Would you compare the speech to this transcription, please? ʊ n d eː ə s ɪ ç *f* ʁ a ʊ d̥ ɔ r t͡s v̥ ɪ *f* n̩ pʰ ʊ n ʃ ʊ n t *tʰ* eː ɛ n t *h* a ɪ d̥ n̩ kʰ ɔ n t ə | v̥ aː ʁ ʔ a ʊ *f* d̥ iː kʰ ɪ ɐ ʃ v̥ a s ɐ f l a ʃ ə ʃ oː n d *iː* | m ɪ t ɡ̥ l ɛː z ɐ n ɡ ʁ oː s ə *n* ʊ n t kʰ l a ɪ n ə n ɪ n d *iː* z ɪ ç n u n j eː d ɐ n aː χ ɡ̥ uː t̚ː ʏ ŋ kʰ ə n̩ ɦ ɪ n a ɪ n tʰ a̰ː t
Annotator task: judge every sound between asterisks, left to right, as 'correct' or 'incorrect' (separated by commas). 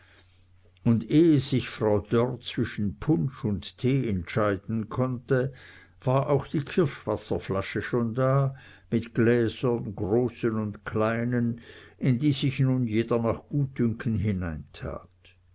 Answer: correct, incorrect, correct, incorrect, incorrect, incorrect, correct, correct